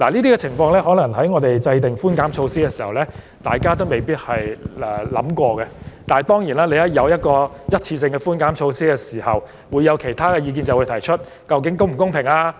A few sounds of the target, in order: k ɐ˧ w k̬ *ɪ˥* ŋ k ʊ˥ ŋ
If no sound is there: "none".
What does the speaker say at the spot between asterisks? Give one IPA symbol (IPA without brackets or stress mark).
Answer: ɪ˨˥